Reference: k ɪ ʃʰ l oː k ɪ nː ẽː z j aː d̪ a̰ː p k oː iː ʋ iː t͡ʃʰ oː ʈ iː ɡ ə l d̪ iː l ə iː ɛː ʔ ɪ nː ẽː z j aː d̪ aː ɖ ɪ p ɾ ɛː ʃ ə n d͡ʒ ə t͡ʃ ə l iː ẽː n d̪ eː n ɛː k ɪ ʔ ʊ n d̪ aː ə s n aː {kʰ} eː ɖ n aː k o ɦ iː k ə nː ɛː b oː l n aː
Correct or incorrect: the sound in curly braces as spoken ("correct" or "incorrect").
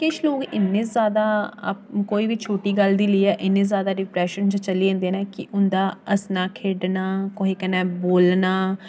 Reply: correct